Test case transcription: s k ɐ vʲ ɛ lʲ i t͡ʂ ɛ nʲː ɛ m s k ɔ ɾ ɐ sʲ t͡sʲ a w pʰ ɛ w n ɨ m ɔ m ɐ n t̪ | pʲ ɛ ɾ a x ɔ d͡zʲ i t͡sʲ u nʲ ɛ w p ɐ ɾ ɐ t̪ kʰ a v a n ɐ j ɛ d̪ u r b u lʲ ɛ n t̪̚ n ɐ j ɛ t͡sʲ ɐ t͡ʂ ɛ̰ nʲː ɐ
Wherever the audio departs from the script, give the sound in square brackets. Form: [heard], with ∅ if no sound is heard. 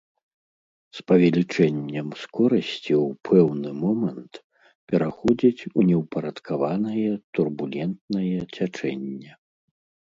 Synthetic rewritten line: s [p] ɐ vʲ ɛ lʲ i t͡ʂ ɛ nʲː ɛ m s k ɔ ɾ ɐ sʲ t͡sʲ [i] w pʰ ɛ w n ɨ m ɔ m ɐ n t̪ | pʲ ɛ ɾ a x ɔ d͡zʲ i t͡sʲ u nʲ ɛ w p ɐ ɾ ɐ t̪ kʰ a v a n ɐ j ɛ [t̪] u r b u lʲ ɛ n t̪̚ n ɐ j ɛ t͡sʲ [a] t͡ʂ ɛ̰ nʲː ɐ